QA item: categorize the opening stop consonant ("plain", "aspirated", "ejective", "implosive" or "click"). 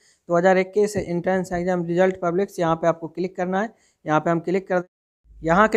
plain